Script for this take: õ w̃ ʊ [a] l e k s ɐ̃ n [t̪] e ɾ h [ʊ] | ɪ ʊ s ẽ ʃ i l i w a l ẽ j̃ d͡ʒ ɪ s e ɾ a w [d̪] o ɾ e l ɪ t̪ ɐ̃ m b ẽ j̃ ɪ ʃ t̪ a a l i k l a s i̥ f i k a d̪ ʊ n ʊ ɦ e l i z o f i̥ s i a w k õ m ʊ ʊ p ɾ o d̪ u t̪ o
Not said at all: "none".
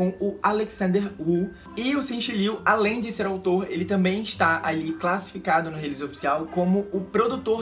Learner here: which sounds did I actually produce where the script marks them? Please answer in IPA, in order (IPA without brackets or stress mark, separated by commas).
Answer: a, d̪, u, t̪